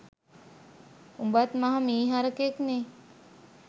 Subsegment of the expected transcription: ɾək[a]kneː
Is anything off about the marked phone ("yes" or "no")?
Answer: yes